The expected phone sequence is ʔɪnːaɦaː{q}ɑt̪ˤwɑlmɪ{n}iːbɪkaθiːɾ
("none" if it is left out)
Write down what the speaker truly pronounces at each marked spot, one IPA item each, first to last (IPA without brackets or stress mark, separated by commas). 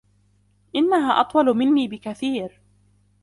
ʔ, nː